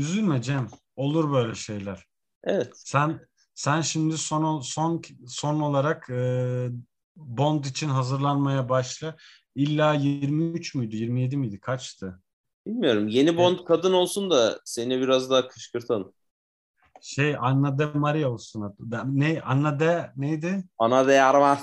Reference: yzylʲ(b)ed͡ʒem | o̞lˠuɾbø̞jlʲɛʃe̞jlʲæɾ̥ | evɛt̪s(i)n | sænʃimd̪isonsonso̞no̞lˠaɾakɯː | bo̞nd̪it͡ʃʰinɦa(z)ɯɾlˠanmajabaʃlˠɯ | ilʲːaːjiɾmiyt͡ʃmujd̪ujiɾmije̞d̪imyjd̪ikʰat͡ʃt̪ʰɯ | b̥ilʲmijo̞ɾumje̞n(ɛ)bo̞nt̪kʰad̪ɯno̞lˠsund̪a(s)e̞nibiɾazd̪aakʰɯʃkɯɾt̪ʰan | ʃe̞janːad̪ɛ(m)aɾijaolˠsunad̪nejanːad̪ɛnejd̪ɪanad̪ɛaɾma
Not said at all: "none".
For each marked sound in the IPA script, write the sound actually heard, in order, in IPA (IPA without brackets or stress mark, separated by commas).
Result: m, æ, z, i, s, m